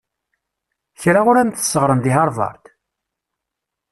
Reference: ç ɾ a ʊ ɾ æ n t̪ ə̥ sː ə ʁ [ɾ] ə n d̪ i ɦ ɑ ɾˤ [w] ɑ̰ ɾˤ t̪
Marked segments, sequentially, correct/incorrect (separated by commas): correct, incorrect